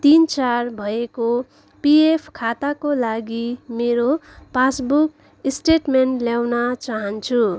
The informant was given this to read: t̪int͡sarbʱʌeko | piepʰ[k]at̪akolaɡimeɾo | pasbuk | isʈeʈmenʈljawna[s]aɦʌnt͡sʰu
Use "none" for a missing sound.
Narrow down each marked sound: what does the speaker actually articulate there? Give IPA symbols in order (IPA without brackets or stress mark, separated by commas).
kʰ, t͡s